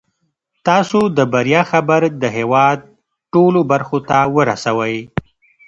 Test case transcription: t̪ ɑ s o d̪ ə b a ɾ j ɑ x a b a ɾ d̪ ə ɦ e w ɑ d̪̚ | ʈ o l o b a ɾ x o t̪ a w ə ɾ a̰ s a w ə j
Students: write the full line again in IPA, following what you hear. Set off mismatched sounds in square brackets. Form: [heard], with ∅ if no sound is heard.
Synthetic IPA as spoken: t̪ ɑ s o d̪ ə b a ɾ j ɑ x a b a ɾ d̪ ə ɦ e w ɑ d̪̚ | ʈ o l o b a ɾ x o t̪ a w ə ɾ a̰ s a w ə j

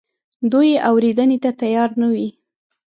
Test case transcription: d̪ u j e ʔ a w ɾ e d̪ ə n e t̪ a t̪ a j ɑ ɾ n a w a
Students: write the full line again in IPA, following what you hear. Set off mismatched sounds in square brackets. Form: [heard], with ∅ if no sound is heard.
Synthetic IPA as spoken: d̪ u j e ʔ a w ɾ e d̪ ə n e t̪ a t̪ a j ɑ ɾ n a w [i]

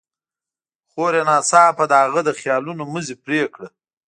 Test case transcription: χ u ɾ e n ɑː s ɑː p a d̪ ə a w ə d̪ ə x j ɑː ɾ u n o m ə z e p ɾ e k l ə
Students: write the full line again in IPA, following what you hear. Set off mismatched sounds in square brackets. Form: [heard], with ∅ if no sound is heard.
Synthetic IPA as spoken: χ [o] ɾ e n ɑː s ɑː p a d̪ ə a [ɣ] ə d̪ ə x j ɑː [l] u n o m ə z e p ɾ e k [ɽ] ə

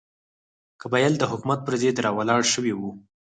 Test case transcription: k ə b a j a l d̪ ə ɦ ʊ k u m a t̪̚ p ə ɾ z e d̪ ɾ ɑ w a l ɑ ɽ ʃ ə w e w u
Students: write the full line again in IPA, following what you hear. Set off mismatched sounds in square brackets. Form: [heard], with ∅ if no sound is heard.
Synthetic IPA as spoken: k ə b a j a l d̪ ə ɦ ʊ k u m a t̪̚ p ə ɾ z e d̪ ɾ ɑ w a l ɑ ɽ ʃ ə w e w u

